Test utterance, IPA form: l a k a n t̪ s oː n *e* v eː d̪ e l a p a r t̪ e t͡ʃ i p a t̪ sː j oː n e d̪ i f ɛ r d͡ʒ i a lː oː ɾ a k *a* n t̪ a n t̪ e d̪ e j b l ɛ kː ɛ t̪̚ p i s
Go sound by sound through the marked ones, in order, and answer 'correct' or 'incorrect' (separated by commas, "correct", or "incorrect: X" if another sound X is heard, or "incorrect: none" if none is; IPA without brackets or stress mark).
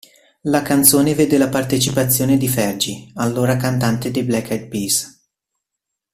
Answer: correct, correct